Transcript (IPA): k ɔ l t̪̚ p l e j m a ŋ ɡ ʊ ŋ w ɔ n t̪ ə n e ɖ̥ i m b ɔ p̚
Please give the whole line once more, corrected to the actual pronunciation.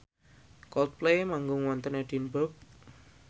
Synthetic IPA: k ɔ l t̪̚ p l e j m a ŋ ɡ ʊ ŋ w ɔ n t̪ ə n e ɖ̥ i n b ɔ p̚